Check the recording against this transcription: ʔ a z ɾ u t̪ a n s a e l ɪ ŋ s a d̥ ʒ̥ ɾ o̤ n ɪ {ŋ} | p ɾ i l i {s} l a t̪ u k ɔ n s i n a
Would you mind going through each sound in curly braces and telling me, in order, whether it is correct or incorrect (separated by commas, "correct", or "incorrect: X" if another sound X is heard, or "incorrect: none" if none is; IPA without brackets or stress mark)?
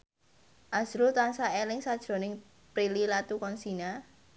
correct, incorrect: none